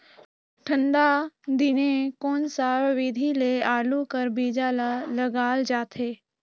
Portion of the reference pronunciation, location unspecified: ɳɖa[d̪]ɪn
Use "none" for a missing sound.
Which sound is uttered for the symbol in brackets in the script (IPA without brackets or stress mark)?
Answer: d̪